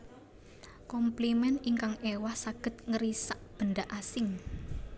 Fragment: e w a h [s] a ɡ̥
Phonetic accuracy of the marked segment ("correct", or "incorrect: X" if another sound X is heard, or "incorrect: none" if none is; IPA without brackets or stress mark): correct